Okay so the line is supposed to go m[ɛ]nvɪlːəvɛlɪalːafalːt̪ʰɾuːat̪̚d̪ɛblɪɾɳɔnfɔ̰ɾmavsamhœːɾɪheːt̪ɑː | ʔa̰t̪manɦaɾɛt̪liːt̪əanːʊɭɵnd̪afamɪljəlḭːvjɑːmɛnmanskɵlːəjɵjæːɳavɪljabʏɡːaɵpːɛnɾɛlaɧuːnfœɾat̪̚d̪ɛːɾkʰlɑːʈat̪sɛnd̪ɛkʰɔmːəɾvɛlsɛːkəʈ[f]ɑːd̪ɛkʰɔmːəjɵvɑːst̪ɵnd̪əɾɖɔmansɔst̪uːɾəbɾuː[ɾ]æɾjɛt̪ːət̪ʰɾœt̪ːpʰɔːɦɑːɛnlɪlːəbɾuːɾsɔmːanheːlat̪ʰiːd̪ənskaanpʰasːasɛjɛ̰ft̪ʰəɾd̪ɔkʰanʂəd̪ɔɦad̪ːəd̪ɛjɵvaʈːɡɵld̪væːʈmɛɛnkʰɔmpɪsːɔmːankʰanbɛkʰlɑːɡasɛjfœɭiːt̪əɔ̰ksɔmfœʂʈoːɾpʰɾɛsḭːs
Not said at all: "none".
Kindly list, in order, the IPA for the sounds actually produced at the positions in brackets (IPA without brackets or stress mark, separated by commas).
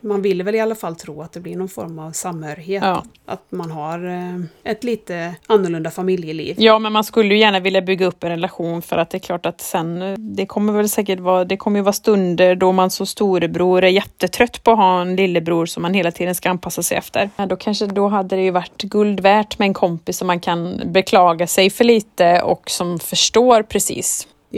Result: a, v, ɾ